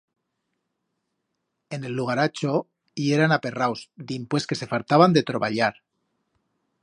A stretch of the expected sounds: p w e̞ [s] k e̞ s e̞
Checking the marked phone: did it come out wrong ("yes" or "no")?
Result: no